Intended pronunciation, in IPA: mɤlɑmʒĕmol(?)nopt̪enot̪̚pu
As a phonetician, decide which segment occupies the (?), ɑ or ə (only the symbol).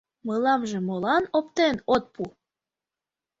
ɑ